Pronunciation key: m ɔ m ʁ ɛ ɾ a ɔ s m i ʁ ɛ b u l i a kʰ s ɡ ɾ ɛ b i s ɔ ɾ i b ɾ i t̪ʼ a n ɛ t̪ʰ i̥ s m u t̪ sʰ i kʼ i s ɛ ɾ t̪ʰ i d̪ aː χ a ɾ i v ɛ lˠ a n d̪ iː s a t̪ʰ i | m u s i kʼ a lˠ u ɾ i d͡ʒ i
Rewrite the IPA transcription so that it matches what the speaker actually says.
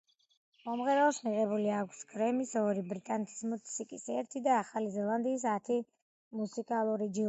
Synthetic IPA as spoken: m ɔ m ʁ ɛ ɾ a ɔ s m i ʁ ɛ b u l i a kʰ s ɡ ɾ ɛ m i s ɔ ɾ i b ɾ i t̪ʼ a n ɛ t̪ʰ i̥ s m u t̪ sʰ i kʼ i s ɛ ɾ t̪ʰ i d̪ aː χ a l i z ɛ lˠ a n d̪ iː s a t̪ʰ i | m u s i kʼ a lˠ u ɾ i d͡ʒ i

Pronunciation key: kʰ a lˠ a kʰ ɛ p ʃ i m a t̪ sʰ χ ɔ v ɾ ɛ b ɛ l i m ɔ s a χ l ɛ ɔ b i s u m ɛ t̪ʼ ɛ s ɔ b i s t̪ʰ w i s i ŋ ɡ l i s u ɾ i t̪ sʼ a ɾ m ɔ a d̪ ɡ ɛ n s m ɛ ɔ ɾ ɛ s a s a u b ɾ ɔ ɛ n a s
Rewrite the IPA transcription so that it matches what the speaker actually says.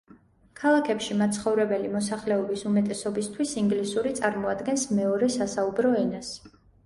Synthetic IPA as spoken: kʰ a lˠ a kʰ ɛ p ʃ i m a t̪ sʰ χ ɔ v ɾ ɛ b ɛ l i m ɔ s a χ l ɛ ɔ b i s u m ɛ t̪ʼ ɛ s ɔ b i s t̪ʰ w i s i ŋ ɡ l i s u ɾ i t̪ sʼ a ɾ m ɔ a d̪ ɡ ɛ n s m ɛ ɔ ɾ ɛ s a s a u b ɾ ɔ ɛ n a s

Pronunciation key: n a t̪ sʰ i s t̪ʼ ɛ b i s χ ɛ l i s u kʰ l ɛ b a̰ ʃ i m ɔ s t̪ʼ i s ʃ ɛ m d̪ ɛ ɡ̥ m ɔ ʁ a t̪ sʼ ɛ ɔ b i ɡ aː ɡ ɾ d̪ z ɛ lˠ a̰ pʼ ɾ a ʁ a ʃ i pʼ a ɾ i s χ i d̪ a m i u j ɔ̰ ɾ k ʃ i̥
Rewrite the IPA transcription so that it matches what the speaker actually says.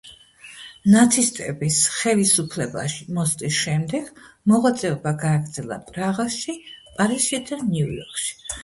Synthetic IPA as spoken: n a t̪ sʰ i s t̪ʼ ɛ b i s χ ɛ l i s u pʰ l ɛ b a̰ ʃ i m ɔ s t̪ʼ i s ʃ ɛ m d̪ ɛ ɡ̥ m ɔ ʁ a t̪ sʼ ɛ ɔ b a ɡ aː ɡ ɾ d̪ z ɛ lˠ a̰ pʼ ɾ a ʁ a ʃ i pʼ a ɾ i s ʃ i d̪ a n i u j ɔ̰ ɾ k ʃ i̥

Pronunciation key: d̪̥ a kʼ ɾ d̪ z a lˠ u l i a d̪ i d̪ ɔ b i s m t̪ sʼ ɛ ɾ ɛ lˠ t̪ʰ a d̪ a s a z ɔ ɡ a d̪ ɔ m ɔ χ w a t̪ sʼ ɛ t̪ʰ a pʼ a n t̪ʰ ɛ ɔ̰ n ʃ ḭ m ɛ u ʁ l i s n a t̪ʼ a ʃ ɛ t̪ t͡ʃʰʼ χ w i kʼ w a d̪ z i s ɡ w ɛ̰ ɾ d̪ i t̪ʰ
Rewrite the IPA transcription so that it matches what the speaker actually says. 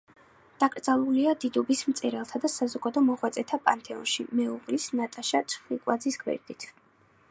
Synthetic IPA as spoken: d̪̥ a kʼ ɾ d̪ z a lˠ u l i a d̪ i d̪ ɔ b i s m t̪ sʼ ɛ ɾ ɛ lˠ t̪ʰ a d̪ a s a z ɔ ɡ a d̪ ɔ m ɔ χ w a t̪ sʼ ɛ t̪ʰ a pʼ a n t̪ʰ ɛ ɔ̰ n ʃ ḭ m ɛ u ʁ l i s n a t̪ʼ a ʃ a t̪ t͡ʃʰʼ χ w i kʼ w a d̪ z i s ɡ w ɛ̰ ɾ d̪ i t̪ʰ

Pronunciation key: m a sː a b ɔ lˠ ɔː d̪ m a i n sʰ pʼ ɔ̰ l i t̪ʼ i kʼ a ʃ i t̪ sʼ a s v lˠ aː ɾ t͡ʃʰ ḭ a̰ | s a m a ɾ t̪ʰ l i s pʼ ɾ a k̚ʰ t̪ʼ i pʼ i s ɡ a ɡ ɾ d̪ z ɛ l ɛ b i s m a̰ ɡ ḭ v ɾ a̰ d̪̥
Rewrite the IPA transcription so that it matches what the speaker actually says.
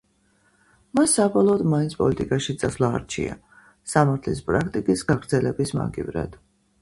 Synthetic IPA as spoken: m a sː a b ɔ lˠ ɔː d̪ m a i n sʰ pʼ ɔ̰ l i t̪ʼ i kʼ a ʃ i t̪ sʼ a s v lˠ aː ɾ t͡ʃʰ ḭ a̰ | s a m a ɾ t̪ʰ l i s pʼ ɾ a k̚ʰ t̪ʼ i kʼ i s ɡ a ɡ ɾ d̪ z ɛ l ɛ b i s m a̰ ɡ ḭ v ɾ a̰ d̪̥

